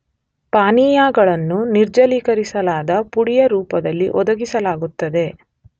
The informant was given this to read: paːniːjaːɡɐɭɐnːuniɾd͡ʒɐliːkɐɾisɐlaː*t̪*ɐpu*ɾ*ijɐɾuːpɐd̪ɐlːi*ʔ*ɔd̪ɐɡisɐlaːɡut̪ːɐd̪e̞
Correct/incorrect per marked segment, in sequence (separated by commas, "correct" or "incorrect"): incorrect, incorrect, correct